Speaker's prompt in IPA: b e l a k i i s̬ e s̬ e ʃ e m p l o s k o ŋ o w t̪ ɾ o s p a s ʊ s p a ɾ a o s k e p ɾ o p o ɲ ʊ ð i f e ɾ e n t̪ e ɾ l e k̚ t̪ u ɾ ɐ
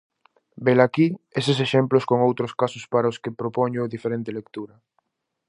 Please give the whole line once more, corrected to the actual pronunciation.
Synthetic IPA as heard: b e l a k i e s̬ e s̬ e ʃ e m p l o s k o ŋ o w t̪ ɾ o s k a s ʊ s p a ɾ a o s k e p ɾ o p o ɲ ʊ ð i f e ɾ e n t̪ e l e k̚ t̪ u ɾ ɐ